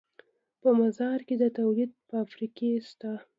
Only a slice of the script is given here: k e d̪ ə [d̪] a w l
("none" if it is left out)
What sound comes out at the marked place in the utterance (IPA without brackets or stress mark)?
t̪